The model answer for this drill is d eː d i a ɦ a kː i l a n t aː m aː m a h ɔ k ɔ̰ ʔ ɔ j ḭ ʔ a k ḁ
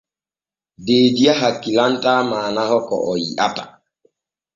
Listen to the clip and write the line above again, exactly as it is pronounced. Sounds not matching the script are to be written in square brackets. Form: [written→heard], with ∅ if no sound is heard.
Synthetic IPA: d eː d i a ɦ a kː i l a n t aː m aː [m→n] a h ɔ k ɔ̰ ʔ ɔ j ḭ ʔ a [k→t] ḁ